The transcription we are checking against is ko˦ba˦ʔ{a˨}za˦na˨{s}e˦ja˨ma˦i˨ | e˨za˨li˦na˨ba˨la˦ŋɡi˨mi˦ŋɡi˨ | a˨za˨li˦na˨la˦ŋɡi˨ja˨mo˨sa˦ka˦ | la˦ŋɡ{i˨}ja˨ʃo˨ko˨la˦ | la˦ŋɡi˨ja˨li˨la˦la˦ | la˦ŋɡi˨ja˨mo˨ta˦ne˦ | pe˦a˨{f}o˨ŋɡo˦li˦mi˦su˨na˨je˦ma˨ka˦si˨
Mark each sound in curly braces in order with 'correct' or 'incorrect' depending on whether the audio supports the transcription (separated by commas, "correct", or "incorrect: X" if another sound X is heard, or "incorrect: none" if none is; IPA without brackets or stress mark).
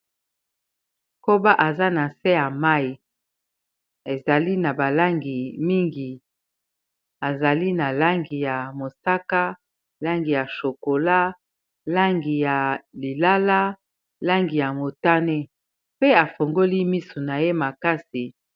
correct, correct, correct, correct